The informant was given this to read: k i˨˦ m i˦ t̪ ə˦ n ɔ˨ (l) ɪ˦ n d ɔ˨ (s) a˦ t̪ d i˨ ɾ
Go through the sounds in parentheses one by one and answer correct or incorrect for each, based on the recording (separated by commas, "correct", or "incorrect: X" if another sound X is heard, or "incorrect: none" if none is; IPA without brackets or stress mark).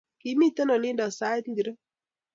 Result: correct, correct